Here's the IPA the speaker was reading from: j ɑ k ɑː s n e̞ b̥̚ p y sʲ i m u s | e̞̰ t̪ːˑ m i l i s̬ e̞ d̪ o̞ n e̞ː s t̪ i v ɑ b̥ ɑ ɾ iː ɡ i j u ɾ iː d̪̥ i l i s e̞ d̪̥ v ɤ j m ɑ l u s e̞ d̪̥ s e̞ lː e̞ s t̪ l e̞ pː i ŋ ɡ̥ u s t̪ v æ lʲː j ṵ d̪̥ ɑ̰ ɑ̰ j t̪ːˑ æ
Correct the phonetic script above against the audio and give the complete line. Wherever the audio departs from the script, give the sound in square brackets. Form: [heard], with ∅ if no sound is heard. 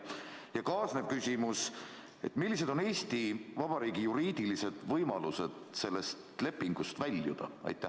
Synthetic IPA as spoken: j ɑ k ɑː s n e̞ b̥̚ [k] y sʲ i m u s | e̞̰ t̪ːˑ m i [lː] i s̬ e̞ d̪ o̞ n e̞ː s t̪ i v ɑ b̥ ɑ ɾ iː ɡ i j u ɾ iː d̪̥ i l i s e̞ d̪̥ v ɤ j m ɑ l u s e̞ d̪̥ s e̞ lː e̞ s t̪ l e̞ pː i ŋ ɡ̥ u s t̪ v æ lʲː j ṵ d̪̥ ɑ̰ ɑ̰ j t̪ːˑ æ